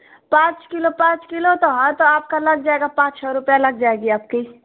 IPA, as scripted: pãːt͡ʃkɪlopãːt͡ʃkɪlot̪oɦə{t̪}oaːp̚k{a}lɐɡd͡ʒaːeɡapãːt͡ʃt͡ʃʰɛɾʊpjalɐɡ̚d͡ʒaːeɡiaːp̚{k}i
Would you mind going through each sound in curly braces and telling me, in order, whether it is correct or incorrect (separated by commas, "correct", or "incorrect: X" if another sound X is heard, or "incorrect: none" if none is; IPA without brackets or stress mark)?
correct, correct, correct